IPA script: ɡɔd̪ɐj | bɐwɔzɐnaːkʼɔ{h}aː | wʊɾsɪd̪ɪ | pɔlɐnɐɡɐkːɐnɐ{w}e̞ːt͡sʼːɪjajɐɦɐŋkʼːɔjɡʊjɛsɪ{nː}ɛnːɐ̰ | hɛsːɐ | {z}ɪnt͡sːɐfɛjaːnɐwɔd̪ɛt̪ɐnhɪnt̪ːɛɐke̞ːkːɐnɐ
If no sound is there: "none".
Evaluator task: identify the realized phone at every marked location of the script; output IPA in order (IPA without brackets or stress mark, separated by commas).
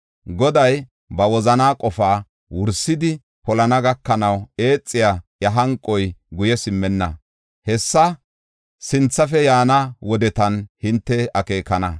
f, w, mː, s